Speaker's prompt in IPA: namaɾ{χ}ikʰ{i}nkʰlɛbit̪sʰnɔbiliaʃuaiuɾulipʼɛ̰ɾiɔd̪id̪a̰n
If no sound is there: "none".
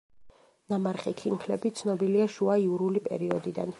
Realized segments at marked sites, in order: χ, i

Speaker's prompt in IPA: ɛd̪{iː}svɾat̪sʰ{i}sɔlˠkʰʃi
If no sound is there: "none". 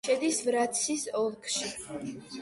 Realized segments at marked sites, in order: i, i

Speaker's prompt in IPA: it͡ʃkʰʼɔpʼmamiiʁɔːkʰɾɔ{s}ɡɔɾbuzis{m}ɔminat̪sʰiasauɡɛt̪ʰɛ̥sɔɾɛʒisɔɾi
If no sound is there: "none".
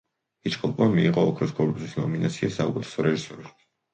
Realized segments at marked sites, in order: s, n

